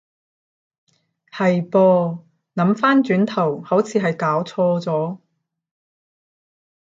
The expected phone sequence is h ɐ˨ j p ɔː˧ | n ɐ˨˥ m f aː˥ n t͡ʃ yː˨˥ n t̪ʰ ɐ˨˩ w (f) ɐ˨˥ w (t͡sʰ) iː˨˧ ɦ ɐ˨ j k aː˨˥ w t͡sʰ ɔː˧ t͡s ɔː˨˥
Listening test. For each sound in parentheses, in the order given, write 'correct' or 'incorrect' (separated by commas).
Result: incorrect, correct